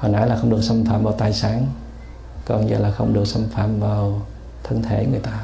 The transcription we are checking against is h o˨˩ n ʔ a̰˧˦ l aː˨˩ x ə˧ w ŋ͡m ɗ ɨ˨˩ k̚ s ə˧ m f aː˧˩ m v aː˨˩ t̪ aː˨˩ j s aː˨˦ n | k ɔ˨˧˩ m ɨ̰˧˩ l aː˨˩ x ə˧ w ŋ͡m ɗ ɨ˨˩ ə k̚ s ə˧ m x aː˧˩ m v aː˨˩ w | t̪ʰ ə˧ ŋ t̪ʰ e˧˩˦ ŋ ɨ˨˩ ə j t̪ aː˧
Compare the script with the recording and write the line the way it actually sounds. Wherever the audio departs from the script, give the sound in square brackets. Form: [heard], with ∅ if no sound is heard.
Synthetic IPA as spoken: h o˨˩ n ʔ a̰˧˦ l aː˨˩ x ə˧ w ŋ͡m ɗ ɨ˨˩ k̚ s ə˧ m f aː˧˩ m v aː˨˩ t̪ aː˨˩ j s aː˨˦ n | k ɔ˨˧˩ [ɲ] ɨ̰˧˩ l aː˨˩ x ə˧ w ŋ͡m ɗ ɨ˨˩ ə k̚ s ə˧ m [f] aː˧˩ m v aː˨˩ w | t̪ʰ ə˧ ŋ t̪ʰ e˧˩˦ ŋ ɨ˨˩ ə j t̪ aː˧